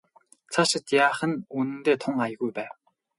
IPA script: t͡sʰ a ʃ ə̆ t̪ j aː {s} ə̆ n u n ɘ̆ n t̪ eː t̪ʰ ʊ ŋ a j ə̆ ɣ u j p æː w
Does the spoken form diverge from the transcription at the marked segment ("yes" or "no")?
yes